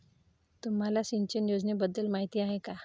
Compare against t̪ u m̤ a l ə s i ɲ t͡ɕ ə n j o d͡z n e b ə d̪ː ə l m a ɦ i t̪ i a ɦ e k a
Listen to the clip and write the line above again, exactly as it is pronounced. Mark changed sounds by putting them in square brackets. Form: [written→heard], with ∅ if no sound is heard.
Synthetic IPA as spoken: t̪ u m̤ a l [ə→a] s i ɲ t͡ɕ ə n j o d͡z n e b ə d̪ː ə l m a ɦ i t̪ i a ɦ e k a